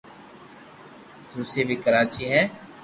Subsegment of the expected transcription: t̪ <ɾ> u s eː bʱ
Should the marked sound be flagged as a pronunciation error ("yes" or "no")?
no